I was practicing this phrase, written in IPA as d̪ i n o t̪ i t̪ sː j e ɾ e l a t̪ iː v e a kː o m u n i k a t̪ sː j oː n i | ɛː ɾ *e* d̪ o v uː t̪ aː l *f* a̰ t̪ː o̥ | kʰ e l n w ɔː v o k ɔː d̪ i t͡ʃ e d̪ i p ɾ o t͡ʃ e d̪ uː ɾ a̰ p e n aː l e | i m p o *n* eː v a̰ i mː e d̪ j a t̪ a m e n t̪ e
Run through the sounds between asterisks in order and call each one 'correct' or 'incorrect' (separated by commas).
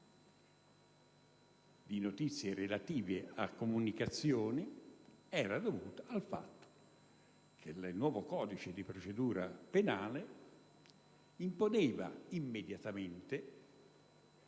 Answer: incorrect, correct, correct